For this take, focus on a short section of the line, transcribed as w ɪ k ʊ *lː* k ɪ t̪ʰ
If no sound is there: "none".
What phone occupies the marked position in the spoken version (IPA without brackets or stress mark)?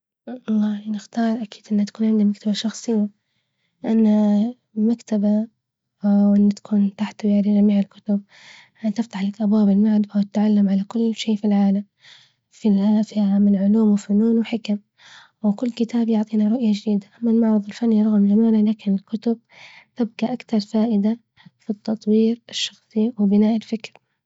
lː